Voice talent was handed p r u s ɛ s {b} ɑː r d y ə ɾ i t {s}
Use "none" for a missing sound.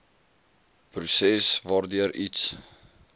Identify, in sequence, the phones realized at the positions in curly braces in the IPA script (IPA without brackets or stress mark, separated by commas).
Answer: v, s